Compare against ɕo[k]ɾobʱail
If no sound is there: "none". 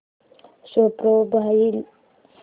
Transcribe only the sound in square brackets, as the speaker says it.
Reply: p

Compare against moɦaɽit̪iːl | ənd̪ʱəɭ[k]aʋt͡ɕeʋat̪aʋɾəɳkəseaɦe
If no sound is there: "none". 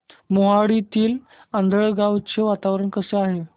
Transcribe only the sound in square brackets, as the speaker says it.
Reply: ɡ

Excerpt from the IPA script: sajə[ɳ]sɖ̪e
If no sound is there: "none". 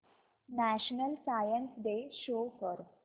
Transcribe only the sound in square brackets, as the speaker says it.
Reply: n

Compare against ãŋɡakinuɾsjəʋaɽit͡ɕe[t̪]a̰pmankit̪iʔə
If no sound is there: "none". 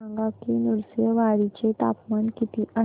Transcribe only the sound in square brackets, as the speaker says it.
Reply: t̪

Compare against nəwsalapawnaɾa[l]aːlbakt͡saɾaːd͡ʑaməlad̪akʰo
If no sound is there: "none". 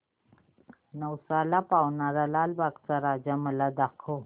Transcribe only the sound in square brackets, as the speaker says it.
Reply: l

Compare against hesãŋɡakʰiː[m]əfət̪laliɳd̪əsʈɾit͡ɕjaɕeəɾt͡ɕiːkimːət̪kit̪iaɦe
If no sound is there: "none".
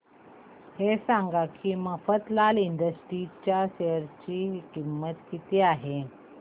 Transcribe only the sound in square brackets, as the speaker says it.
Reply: m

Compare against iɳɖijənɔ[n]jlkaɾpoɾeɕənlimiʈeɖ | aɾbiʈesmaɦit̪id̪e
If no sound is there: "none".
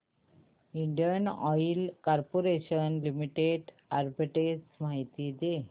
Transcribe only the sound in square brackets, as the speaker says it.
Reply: none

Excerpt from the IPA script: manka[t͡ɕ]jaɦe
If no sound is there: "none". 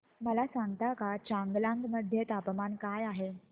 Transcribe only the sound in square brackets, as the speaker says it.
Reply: none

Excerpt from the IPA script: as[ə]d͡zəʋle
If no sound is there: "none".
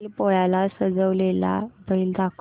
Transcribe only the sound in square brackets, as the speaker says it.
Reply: ə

